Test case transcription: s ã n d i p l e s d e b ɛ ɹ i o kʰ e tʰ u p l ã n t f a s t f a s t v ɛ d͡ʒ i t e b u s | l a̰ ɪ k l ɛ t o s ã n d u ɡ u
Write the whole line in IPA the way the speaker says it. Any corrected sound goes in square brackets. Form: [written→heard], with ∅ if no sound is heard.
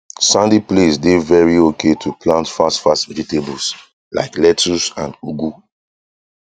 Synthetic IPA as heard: s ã n d i p l e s d e [b→v] ɛ ɹ i o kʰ e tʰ u p l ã n t f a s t f a s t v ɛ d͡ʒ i t e b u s | l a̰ ɪ k l ɛ t [o→u] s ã n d u ɡ u